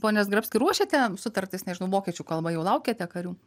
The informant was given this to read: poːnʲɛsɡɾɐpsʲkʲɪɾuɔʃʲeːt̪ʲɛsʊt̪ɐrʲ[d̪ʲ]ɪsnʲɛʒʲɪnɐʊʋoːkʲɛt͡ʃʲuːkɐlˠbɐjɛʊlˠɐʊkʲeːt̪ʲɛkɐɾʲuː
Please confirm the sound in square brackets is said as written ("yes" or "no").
no